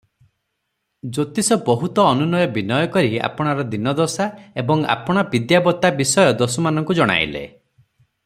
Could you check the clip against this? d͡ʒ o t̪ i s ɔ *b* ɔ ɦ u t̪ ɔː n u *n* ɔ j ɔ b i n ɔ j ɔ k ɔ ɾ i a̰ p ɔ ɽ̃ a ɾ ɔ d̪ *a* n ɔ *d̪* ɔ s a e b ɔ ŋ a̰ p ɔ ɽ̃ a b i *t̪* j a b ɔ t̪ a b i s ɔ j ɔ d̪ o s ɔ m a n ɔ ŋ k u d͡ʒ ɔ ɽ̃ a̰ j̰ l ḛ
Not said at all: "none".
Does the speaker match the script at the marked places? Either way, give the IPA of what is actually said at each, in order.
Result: b, n, i, d̪, d̪

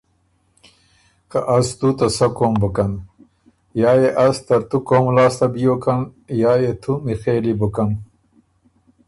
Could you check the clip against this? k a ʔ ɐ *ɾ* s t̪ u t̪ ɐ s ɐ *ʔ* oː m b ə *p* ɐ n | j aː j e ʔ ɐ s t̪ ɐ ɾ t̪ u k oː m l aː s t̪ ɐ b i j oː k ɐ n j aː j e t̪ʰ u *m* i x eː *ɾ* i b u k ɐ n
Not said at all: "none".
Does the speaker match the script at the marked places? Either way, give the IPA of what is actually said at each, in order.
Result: none, k, k, m, l

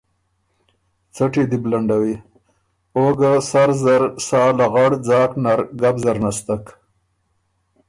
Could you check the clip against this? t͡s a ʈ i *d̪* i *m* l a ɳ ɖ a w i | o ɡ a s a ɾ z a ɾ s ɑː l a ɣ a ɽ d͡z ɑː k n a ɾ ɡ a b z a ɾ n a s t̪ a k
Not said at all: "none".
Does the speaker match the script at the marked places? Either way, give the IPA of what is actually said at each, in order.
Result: d̪, b

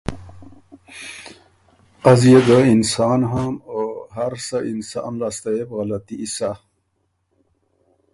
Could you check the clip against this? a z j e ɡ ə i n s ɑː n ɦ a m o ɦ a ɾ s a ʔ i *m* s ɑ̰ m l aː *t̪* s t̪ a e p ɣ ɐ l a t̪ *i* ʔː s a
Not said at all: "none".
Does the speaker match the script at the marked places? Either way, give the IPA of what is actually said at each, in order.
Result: n, none, i

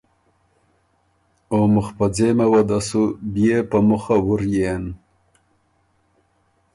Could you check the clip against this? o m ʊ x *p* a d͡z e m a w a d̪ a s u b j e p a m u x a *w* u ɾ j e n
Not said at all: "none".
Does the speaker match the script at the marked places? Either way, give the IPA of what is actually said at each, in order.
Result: p, w

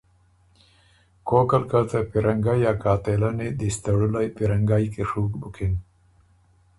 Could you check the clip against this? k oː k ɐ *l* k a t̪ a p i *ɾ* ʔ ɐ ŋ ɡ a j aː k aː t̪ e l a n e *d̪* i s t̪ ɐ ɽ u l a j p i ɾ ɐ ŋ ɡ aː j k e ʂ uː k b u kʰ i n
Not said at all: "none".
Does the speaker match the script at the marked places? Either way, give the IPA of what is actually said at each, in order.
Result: l, ɾ, d̪

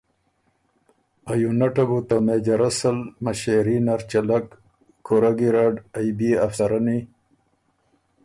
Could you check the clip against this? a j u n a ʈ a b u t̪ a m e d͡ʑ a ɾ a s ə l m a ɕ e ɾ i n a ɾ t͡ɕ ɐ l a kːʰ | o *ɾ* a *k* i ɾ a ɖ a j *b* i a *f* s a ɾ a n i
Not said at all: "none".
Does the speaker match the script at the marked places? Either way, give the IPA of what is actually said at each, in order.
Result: ɾ, ɡ, b, f

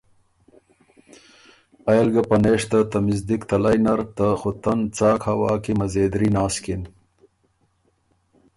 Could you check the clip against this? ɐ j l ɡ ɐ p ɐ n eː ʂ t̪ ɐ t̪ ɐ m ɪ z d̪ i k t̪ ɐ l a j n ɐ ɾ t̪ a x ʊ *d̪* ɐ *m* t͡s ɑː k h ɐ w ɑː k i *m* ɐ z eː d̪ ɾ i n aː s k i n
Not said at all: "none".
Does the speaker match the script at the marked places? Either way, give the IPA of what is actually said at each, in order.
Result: t̪, n, m

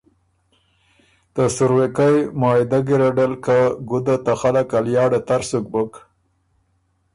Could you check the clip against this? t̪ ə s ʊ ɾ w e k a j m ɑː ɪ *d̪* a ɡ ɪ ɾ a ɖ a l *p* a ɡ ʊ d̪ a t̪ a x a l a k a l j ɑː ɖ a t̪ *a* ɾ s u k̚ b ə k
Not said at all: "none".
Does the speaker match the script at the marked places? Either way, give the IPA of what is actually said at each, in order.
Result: d̪, k, a

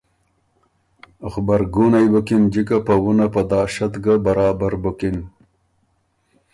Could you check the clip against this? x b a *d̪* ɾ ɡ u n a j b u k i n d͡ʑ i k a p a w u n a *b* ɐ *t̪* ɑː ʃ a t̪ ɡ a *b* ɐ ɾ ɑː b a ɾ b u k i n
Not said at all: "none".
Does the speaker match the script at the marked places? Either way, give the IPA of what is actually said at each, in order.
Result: none, p, d̪, b

